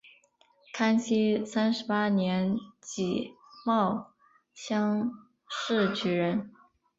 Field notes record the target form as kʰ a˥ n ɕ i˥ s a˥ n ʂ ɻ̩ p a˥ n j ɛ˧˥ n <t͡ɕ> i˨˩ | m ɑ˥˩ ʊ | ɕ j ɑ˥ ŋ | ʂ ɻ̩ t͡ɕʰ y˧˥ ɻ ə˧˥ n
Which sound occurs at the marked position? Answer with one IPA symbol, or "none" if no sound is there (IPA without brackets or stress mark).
t͡ɕ